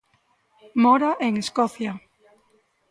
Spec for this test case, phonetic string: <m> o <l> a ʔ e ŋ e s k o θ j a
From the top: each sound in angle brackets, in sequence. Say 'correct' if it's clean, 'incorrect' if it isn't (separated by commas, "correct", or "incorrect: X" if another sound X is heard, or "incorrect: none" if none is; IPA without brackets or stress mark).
correct, incorrect: ɾ